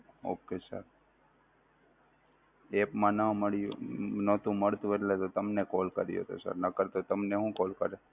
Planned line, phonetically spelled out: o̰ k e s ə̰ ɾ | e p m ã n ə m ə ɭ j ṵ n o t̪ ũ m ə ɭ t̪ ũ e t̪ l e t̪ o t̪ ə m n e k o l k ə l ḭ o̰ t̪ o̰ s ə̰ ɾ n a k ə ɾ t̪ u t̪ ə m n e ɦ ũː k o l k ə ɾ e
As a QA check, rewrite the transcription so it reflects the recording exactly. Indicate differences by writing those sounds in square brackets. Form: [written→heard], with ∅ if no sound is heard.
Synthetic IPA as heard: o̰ k e s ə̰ ɾ | e p m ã n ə m ə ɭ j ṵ n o t̪ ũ m ə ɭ t̪ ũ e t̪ l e t̪ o t̪ ə m n e k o l k ə [l→ɾ] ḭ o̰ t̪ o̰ s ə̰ ɾ n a k ə ɾ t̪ [u→o] t̪ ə m n e ɦ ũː k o l k ə ɾ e